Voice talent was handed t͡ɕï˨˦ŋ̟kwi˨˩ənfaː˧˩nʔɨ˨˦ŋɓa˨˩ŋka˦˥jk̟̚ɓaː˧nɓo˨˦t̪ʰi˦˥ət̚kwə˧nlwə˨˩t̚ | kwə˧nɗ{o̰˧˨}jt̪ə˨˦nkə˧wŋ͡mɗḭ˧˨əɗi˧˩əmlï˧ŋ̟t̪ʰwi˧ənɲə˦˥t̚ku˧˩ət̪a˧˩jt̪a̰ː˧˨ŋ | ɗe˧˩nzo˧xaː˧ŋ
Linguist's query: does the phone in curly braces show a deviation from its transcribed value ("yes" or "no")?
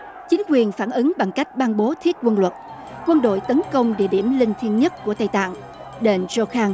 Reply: no